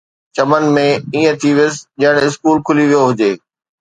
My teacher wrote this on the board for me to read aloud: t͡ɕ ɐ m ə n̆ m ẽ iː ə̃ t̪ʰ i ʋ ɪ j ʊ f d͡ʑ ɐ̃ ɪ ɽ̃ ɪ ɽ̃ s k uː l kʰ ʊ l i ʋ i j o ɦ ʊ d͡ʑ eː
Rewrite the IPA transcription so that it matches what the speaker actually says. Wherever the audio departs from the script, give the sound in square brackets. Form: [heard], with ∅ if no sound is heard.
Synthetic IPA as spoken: t͡ɕ ɐ m ə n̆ m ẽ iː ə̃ t̪ʰ i ʋ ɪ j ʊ [s] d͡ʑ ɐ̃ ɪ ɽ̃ ɪ [∅] s k uː l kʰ ʊ l i ʋ i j o ɦ ʊ d͡ʑ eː